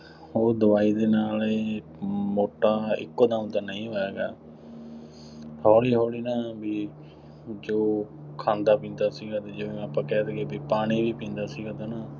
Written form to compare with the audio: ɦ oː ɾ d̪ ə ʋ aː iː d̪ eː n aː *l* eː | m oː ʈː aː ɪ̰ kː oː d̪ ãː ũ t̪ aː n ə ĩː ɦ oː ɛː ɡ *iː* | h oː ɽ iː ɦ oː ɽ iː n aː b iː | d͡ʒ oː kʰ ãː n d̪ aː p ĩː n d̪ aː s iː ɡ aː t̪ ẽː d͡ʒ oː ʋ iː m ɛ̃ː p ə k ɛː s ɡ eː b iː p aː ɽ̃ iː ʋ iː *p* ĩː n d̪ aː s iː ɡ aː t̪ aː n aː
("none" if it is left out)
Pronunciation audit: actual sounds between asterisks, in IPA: l, aː, p

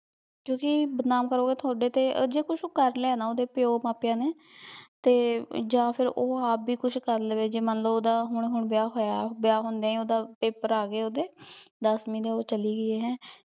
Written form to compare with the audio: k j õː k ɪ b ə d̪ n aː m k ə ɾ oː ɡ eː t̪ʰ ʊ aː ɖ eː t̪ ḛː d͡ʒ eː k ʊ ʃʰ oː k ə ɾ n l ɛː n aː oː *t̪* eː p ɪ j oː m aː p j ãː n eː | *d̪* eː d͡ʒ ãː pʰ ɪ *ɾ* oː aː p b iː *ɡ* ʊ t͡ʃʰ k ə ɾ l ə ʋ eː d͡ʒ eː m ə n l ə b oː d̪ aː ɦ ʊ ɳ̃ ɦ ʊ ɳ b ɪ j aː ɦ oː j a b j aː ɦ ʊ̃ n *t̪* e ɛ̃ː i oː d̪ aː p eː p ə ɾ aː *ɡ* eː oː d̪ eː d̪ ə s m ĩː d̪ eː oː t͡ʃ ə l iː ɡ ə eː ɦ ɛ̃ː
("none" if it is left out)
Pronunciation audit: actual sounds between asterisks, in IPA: d̪, t̪, ɾ, k, d̪, ɡ

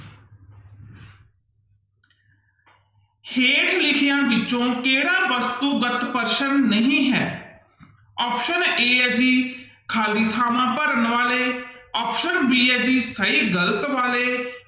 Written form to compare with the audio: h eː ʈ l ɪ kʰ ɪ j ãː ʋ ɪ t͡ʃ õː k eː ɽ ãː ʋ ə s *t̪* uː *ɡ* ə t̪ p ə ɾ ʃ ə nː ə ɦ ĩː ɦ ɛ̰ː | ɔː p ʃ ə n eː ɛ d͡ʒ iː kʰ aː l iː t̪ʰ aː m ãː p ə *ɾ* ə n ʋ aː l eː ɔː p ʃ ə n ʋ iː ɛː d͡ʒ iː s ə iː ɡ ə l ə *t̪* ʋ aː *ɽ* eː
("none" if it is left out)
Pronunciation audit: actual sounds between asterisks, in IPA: t̪, ɡ, ɾ, t̪, l

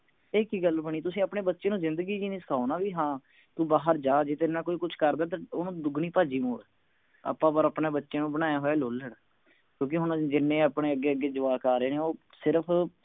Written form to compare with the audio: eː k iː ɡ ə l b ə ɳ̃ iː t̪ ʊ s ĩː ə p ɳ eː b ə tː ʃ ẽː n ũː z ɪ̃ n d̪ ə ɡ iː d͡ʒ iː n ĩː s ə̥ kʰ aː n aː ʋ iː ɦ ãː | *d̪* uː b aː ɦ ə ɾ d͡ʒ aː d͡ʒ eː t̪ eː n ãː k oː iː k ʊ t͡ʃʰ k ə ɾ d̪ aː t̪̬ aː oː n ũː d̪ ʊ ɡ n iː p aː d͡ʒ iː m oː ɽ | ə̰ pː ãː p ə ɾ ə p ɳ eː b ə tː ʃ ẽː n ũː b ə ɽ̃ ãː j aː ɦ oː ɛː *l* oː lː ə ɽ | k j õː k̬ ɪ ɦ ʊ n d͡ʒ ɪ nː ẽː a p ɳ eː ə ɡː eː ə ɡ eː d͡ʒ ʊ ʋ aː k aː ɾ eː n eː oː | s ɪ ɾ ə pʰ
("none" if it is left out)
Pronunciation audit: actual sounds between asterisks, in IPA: t̪, l

